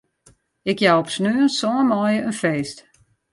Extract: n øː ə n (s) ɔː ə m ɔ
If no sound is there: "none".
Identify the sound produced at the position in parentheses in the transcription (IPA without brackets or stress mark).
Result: s